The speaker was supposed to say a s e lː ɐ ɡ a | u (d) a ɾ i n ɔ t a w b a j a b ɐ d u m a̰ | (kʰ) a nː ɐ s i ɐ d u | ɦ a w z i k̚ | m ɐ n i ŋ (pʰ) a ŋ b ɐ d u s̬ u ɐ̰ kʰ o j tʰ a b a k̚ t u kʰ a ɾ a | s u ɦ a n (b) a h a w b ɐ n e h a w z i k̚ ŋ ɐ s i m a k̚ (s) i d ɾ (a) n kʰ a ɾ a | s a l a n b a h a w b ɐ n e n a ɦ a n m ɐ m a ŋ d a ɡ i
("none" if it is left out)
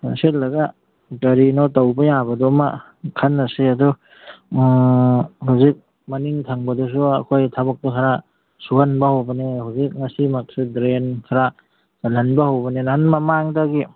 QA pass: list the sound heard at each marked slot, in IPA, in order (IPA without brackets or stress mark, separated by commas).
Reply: t, kʰ, tʰ, b, s, e